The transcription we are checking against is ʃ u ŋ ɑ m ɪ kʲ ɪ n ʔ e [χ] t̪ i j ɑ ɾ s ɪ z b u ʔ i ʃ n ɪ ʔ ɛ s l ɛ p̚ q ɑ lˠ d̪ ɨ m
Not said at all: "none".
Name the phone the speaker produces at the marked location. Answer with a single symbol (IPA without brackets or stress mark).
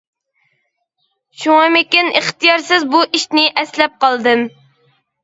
χ